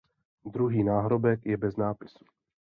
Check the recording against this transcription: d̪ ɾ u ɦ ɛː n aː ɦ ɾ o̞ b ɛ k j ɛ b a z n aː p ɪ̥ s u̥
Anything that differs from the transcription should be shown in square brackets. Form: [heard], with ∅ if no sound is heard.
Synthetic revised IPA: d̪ ɾ u ɦ [iː] n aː ɦ ɾ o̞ b ɛ k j ɛ b [ɛ] z n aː p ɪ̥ s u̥